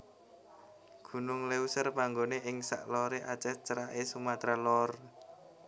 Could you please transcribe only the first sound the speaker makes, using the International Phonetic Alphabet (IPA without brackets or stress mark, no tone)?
ɡ̥